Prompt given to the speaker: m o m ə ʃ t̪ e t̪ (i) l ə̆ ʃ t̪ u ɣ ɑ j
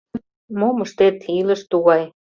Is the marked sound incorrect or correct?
correct